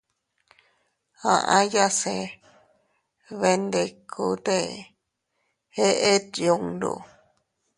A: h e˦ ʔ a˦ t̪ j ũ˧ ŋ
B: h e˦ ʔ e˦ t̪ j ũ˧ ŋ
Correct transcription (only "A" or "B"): B